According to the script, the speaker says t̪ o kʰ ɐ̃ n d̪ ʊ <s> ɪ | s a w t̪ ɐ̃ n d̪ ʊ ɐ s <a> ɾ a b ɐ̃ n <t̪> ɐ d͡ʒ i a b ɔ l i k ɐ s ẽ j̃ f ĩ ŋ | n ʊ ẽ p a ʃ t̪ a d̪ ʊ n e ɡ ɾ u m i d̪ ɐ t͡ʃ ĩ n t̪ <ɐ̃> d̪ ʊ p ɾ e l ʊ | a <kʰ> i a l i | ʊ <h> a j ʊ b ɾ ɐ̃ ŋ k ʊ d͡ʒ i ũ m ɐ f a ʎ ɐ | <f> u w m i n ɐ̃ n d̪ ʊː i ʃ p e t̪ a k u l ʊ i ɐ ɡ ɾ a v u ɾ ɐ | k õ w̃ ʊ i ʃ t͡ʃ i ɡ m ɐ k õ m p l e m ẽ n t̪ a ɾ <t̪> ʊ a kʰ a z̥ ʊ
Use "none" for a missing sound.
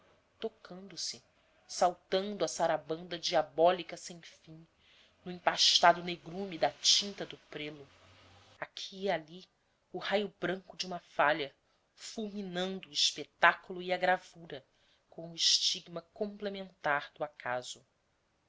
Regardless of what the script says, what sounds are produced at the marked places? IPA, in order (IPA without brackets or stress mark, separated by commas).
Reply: s, a, d̪, ɐ, kʰ, h, f, d̪